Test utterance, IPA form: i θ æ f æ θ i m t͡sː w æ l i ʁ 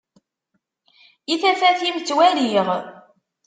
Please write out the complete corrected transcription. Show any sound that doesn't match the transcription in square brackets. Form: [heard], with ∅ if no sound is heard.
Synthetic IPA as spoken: i θ æ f æ θ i m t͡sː w æ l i ʁ